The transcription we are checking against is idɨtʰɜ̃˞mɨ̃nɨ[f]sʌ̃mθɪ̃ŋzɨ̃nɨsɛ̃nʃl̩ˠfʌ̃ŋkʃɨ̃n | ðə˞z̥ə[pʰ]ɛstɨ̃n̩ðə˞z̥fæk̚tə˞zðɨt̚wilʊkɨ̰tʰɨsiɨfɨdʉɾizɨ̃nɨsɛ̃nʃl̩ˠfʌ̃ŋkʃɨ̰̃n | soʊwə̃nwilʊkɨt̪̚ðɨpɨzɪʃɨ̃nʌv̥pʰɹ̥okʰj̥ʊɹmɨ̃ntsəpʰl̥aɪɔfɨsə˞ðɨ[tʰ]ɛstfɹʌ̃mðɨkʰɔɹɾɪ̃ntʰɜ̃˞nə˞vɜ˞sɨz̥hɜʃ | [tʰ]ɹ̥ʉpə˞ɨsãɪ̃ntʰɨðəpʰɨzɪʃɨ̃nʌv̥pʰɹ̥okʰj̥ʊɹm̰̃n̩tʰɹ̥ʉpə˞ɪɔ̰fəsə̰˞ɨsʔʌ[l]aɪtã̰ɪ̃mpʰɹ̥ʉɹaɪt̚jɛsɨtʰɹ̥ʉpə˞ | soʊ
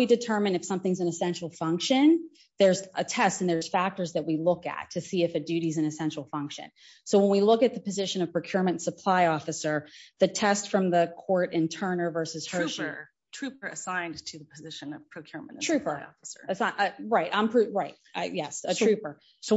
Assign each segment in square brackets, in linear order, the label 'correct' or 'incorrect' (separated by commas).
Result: correct, incorrect, correct, correct, incorrect